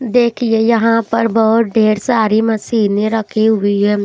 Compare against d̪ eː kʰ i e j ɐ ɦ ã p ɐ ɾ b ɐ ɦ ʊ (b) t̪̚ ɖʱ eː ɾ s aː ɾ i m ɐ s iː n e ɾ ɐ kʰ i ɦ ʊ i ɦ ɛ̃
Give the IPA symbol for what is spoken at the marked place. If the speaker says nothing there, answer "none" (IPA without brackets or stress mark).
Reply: none